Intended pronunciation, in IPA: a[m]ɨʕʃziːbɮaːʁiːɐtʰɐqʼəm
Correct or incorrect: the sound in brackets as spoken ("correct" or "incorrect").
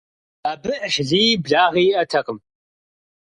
incorrect